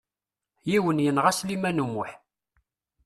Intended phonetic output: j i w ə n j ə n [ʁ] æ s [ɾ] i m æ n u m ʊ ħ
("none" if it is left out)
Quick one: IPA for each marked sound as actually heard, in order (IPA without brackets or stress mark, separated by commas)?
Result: ʁ, l